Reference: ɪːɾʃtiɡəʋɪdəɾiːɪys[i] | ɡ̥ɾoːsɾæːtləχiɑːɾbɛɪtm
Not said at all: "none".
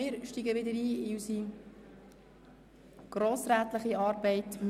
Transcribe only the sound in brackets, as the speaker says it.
i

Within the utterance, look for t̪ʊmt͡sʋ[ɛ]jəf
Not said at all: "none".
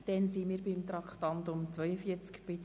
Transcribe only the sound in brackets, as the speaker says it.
œ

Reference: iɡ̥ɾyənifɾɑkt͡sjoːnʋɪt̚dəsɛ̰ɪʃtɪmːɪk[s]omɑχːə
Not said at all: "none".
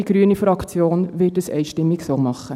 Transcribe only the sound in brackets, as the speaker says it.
s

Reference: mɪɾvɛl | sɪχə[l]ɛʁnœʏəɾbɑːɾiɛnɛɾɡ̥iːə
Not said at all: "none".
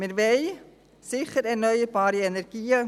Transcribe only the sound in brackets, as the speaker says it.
ɾ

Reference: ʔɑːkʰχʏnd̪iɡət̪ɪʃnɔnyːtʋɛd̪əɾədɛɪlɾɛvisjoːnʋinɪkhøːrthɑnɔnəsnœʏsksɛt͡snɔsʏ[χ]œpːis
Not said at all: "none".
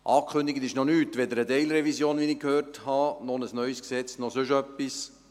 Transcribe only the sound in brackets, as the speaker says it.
ʃ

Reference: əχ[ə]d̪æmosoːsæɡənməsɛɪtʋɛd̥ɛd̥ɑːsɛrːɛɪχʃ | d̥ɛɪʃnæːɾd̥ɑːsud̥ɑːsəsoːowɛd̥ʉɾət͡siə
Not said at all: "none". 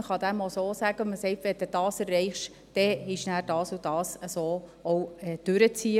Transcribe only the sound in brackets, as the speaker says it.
ɑ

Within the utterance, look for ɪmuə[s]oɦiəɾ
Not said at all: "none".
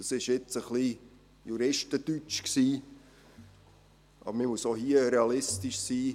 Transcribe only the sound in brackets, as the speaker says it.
s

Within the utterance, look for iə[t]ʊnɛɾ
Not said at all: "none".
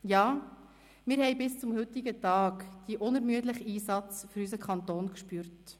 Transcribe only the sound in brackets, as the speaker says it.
ʔ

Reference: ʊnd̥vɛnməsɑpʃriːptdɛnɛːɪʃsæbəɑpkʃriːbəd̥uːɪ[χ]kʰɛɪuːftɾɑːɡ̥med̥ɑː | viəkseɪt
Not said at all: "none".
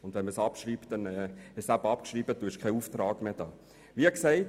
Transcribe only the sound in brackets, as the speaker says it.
ʃ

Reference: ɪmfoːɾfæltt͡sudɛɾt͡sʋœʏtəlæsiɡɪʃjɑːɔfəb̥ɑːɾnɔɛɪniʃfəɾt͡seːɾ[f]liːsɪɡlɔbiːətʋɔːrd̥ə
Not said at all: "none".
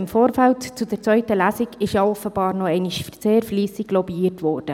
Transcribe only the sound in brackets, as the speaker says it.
f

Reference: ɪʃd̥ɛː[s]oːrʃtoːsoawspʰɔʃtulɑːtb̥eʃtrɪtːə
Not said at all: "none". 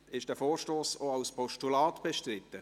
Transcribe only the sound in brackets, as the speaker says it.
f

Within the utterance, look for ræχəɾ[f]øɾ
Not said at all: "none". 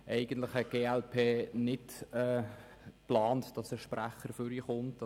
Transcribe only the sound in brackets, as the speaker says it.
f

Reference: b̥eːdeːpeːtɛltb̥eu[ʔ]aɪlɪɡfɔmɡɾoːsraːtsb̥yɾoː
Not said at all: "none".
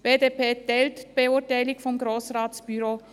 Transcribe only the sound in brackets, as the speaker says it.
t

